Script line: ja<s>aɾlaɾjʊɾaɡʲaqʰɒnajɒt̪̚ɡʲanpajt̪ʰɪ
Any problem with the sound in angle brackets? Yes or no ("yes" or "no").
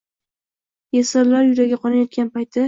no